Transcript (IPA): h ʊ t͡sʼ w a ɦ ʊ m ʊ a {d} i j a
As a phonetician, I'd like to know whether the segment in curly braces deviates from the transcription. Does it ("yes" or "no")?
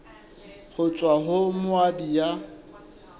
yes